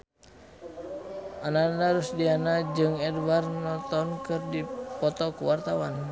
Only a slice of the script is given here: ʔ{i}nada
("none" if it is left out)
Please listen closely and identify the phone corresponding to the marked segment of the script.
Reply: a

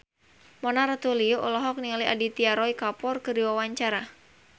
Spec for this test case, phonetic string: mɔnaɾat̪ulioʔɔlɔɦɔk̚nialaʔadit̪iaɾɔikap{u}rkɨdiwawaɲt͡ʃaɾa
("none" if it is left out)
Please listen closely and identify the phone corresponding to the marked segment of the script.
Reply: ɔ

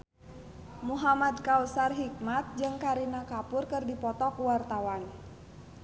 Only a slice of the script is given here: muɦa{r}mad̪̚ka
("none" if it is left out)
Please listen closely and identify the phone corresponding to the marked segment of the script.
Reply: none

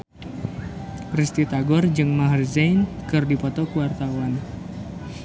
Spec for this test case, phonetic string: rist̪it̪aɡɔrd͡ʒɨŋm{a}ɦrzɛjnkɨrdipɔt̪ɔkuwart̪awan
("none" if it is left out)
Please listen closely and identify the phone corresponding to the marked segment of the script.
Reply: a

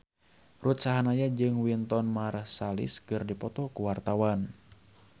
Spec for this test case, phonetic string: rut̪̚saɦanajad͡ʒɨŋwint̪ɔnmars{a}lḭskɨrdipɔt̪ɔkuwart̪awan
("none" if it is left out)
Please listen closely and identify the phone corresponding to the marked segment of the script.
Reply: a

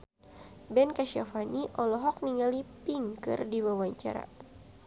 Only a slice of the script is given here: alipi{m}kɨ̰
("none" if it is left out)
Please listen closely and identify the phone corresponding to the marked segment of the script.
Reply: ŋ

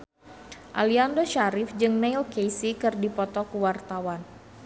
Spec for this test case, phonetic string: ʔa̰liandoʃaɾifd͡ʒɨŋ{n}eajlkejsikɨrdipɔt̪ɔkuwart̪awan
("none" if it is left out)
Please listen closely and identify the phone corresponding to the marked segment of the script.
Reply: n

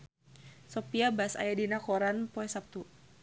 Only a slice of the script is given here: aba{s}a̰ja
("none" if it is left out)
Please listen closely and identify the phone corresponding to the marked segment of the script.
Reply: s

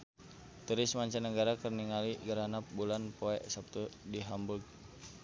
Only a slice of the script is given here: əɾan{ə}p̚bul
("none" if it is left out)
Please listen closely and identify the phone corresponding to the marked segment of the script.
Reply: a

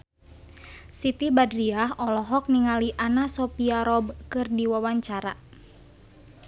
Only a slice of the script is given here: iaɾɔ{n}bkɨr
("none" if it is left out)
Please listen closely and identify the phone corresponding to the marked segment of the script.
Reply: none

